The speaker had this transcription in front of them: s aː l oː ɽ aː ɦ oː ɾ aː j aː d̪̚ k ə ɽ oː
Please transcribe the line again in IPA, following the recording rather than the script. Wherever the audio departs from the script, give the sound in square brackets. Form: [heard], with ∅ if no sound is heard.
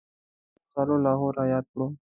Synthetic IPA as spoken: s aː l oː [l] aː ɦ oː ɾ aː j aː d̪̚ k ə ɽ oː